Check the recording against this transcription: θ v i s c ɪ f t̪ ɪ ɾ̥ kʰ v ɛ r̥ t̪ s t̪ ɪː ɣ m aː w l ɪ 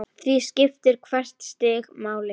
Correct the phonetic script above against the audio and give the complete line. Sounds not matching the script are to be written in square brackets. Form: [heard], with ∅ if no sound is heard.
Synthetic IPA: θ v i s c ɪ f t̪ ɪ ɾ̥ kʰ v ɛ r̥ t̪ s t̪ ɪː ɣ m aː w l ɪ